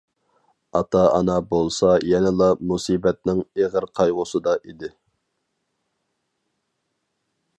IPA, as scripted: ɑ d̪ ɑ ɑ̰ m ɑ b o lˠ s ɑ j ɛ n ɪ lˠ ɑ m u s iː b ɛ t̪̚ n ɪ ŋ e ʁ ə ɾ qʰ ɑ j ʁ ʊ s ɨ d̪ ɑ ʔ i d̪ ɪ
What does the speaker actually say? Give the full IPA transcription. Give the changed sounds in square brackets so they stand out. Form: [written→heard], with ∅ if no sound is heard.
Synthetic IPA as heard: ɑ [d̪→t̪] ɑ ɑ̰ [m→n] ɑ b o lˠ s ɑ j ɛ n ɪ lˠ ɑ m u s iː b ɛ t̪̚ n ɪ ŋ e ʁ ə ɾ qʰ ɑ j ʁ ʊ s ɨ d̪ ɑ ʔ i d̪ ɪ